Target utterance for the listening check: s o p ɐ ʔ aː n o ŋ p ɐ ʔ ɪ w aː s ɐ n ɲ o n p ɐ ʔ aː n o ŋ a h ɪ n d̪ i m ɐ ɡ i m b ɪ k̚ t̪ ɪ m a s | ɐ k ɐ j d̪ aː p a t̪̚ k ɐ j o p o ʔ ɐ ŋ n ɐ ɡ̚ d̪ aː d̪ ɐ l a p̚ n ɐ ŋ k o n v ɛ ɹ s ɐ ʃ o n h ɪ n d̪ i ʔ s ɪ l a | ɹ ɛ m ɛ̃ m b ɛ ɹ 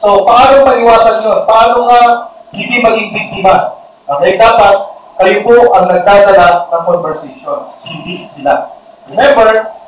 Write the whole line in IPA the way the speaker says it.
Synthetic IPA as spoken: s o p ɐ ʔ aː n o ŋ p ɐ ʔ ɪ w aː s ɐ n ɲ o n p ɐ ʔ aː n o ŋ a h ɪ n d̪ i m ɐ ɡ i ŋ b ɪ k̚ t̪ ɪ m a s | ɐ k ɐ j d̪ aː p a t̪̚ k ɐ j o p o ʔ ɐ ŋ n ɐ ɡ̚ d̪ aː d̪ ɐ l a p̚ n ɐ ŋ k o n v ɛ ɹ s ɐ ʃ o n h ɪ n d̪ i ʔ s ɪ l a | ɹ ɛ m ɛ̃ m b ɛ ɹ